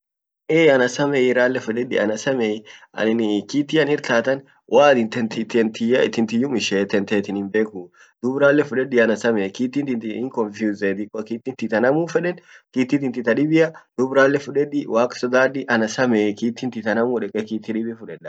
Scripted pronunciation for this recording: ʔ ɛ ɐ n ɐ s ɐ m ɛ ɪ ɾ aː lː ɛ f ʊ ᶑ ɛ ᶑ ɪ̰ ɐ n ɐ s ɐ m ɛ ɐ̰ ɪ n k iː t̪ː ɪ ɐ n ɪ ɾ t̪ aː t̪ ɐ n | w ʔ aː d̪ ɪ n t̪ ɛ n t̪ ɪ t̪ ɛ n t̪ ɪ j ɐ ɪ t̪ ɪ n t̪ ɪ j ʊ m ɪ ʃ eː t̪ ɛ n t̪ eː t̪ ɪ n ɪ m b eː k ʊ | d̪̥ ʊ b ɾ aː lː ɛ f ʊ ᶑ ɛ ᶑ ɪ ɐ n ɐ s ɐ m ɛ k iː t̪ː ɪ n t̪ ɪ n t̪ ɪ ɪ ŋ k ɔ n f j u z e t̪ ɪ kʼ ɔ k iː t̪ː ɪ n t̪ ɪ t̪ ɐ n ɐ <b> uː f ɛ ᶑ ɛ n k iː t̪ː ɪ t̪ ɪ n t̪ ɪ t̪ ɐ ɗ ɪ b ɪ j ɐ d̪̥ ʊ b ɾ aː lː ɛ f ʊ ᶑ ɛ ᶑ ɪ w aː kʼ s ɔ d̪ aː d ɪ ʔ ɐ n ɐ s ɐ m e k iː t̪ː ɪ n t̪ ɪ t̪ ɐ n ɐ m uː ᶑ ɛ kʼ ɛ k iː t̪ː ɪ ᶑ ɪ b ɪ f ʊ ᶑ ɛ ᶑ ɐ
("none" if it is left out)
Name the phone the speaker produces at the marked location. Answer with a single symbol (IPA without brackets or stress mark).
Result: m